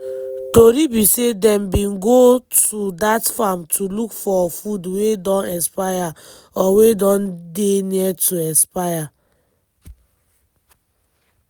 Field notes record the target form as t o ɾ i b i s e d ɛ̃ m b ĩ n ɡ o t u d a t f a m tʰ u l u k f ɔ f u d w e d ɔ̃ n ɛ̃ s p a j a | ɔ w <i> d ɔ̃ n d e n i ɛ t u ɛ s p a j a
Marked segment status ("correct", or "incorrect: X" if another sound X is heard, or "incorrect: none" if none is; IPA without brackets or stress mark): incorrect: e